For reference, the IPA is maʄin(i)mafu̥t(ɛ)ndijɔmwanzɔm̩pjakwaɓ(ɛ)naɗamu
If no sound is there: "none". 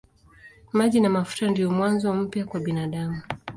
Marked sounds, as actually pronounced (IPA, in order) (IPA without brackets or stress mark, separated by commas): a, a, i